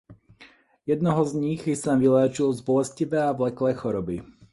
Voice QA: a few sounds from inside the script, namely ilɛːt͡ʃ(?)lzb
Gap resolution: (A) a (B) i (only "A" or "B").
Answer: B